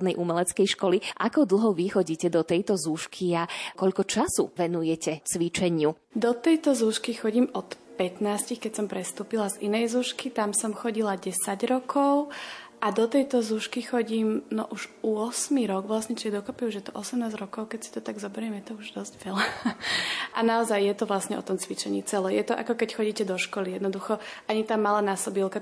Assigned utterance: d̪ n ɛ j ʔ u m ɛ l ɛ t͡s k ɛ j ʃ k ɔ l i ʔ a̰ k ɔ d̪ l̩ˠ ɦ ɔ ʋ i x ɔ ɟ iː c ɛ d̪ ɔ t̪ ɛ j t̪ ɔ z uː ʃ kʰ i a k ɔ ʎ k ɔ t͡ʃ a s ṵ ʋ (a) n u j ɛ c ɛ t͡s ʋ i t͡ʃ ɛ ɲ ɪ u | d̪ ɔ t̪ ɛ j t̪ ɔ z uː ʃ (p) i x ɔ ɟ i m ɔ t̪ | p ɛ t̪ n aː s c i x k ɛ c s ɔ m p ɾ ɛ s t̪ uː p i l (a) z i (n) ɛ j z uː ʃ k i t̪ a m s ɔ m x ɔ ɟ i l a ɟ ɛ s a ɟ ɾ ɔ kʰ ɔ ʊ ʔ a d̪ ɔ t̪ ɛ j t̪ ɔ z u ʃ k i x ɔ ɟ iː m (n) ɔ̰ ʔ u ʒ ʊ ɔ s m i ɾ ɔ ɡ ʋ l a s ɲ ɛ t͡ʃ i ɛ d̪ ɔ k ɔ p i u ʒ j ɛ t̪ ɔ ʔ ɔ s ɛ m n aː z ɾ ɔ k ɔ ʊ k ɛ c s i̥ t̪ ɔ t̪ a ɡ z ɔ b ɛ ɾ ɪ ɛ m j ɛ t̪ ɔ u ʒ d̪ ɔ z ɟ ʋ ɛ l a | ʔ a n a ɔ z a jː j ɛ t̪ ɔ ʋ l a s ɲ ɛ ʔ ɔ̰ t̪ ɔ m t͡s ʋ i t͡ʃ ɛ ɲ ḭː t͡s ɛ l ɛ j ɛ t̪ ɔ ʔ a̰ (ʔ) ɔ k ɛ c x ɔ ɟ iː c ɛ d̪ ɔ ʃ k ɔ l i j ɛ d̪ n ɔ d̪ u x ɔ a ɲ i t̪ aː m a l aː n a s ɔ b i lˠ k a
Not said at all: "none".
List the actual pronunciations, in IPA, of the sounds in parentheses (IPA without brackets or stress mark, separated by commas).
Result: ɛ, k, a, n, n, k